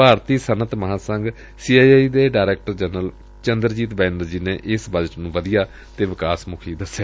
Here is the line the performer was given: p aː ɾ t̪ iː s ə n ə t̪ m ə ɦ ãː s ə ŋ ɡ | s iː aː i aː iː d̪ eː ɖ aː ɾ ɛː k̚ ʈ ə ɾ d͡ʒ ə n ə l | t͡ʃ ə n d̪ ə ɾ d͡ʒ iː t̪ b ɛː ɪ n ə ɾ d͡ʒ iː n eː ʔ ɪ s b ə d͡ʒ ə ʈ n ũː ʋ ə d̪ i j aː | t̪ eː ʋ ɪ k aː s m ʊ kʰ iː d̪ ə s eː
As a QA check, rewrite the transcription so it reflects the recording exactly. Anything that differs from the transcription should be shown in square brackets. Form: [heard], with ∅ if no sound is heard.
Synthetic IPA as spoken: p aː ɾ t̪ iː s ə n ə t̪ m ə ɦ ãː s ə ŋ ɡ | s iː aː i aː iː d̪ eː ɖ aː ɾ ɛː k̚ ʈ ə ɾ d͡ʒ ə n ə l | t͡ʃ ə n d̪ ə ɾ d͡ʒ iː t̪ b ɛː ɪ n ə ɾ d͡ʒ iː n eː ʔ ɪ s b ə d͡ʒ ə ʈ n ũː ʋ ə d̪ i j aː | t̪ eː ʋ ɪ k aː s m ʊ kʰ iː d̪ ə s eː